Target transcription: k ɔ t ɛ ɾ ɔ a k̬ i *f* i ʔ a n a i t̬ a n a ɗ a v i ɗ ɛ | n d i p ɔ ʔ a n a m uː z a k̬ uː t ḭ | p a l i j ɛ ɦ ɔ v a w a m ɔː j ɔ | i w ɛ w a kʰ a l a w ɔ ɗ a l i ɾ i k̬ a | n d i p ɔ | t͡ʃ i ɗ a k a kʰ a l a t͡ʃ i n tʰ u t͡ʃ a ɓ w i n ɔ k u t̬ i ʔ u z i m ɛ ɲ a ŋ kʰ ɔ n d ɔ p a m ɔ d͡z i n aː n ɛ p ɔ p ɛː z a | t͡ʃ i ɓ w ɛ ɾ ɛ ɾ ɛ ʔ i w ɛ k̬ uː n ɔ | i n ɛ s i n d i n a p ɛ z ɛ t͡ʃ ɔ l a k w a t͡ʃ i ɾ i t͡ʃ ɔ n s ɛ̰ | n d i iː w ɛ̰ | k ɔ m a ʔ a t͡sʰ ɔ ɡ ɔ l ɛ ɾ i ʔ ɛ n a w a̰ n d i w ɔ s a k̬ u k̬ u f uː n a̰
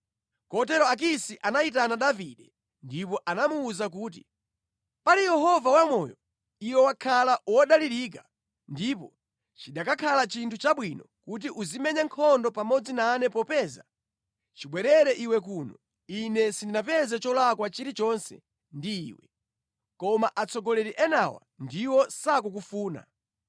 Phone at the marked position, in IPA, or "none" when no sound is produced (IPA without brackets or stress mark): s